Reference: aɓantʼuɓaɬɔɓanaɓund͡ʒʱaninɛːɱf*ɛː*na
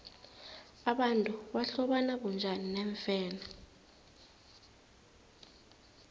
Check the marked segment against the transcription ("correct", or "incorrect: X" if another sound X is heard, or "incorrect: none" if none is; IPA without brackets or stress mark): correct